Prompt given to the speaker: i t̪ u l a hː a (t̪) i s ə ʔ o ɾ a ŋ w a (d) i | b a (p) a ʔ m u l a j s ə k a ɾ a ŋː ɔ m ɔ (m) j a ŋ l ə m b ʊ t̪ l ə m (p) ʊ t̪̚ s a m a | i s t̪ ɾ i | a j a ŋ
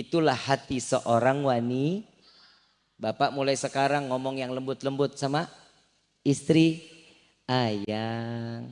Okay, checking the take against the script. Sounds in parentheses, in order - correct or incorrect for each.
correct, incorrect, correct, incorrect, incorrect

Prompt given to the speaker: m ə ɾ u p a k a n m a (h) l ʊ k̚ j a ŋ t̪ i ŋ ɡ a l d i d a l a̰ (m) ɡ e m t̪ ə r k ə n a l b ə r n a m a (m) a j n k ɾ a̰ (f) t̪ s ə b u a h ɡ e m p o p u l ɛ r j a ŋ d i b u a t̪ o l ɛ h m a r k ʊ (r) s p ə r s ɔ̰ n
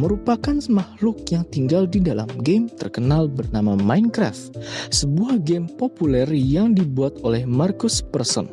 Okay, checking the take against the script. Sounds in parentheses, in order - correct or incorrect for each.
correct, correct, correct, correct, incorrect

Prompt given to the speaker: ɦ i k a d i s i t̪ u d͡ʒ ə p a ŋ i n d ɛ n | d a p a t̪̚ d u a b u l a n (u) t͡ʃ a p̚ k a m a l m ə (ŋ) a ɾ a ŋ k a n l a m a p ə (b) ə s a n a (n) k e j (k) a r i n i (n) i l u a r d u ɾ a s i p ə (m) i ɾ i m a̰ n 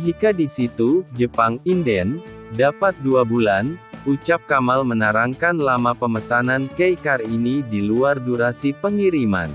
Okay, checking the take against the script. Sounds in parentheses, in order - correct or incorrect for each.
correct, incorrect, incorrect, correct, correct, incorrect, incorrect

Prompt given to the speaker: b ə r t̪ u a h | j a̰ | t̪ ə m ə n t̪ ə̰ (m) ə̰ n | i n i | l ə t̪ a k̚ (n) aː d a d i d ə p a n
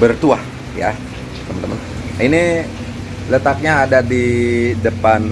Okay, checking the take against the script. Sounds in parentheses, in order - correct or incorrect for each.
correct, incorrect

